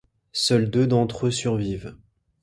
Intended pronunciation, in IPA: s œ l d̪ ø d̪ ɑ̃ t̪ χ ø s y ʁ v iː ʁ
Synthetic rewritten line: s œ l d̪ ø d̪ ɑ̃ t̪ χ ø s y ʁ v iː v